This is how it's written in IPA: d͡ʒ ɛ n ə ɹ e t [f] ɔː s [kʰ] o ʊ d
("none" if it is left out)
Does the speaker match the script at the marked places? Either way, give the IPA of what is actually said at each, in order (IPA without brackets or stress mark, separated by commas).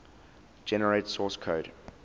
s, kʰ